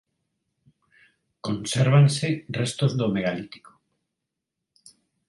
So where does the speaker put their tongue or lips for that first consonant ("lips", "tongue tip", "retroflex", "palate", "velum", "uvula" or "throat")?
velum